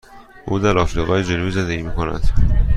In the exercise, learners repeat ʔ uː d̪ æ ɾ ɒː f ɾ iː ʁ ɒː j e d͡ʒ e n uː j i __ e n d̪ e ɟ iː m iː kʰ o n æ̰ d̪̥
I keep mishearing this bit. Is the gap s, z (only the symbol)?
z